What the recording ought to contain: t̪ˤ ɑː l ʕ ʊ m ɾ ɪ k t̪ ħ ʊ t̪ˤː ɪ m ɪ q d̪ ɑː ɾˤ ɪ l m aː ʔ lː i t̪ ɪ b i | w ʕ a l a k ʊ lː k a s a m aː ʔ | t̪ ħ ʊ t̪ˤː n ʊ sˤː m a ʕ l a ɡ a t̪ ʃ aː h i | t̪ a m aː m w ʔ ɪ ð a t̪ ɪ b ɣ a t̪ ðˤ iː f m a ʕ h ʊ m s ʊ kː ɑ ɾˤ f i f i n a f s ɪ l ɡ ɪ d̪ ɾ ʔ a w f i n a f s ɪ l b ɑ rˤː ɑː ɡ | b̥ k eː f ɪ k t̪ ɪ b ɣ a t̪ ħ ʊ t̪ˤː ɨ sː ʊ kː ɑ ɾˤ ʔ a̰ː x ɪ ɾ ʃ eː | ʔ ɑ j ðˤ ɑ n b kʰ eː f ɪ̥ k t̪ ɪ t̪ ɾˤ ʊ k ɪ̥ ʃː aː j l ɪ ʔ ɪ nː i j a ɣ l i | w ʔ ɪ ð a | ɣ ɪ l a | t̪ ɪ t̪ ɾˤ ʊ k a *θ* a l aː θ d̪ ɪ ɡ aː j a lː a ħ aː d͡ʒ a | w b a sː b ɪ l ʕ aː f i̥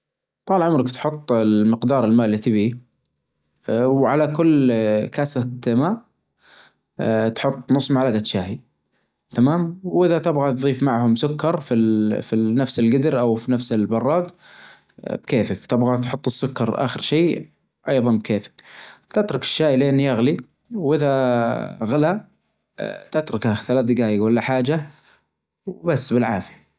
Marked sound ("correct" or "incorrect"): correct